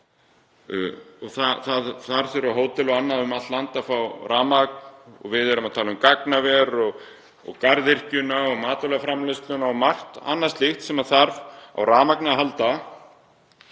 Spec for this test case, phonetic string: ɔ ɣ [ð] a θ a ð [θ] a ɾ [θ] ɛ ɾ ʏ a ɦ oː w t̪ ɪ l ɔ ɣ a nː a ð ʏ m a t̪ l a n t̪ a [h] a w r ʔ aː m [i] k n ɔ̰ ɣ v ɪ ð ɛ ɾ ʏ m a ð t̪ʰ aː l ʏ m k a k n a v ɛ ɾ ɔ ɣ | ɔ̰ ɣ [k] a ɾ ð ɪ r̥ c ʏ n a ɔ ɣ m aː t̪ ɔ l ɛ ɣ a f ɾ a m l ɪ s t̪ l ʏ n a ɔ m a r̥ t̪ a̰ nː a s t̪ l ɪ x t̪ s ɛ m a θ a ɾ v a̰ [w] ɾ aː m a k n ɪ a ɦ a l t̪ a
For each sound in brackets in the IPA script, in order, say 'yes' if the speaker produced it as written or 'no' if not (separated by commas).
no, yes, yes, no, no, yes, yes